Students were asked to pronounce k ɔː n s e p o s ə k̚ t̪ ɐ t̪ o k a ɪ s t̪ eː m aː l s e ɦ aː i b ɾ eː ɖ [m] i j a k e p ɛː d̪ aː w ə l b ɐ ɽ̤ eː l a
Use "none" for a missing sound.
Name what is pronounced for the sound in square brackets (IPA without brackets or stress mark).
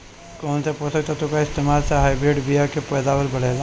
b